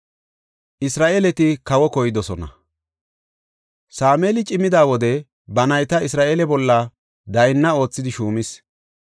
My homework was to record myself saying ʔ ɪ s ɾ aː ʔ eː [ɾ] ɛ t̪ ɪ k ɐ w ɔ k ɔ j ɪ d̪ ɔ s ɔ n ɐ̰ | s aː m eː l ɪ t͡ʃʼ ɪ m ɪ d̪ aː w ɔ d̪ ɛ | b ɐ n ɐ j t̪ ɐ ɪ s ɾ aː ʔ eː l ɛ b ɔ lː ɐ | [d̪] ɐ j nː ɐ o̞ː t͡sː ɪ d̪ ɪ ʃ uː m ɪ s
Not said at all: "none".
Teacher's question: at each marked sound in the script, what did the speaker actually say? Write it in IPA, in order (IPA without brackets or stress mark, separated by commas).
l, d̪